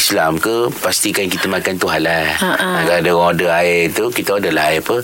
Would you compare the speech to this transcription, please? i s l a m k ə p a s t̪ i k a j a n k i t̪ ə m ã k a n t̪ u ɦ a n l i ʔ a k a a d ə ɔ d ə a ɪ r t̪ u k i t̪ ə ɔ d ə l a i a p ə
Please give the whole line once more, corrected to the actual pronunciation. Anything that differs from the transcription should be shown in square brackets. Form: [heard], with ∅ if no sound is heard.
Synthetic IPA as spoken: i s l a m k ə p a s t̪ i k a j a [ŋ] k i t̪ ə m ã k a n t̪ u ɦ a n l [a] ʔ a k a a d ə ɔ d ə a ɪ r t̪ u k i t̪ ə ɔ d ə l a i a p ə